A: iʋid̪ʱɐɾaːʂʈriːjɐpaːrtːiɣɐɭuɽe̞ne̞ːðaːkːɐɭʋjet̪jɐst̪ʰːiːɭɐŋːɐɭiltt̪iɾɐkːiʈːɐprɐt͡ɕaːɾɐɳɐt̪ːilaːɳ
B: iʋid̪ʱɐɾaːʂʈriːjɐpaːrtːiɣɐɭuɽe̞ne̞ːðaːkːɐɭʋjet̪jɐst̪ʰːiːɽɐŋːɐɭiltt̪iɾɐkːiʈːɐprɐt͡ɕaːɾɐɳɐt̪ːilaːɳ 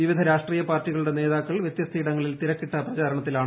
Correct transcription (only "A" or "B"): B